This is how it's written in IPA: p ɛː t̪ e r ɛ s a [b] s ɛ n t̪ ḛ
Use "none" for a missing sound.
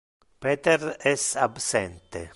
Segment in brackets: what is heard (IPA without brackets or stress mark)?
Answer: b